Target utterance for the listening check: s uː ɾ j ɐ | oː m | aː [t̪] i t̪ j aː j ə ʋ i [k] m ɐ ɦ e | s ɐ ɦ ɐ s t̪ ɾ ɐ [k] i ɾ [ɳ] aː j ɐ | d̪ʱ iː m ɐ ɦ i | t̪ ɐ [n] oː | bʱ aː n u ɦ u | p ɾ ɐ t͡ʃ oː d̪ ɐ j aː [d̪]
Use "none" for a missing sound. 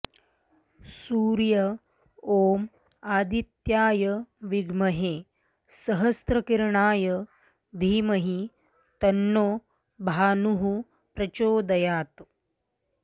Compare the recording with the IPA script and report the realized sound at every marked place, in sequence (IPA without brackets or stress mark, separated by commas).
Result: d̪, ɡ, k, ɳ, nː, t̪